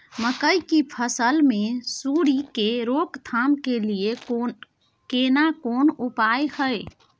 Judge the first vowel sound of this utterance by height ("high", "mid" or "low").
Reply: mid